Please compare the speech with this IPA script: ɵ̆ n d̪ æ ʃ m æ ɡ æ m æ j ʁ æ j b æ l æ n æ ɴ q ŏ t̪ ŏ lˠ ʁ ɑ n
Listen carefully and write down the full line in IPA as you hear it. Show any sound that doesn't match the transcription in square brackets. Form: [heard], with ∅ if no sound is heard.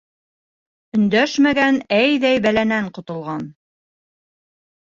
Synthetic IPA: ɵ̆ n d̪ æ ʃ m æ ɡ æ [n] æ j [ð] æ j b æ l æ n æ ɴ q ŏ t̪ ŏ lˠ ʁ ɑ n